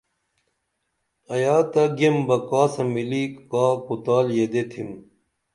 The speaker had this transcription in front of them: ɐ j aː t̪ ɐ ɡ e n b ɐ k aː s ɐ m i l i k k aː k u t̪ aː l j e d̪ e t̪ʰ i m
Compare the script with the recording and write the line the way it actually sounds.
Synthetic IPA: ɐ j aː t̪ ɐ ɡ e m b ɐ k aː s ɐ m i l i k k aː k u t̪ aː l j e d̪ e t̪ʰ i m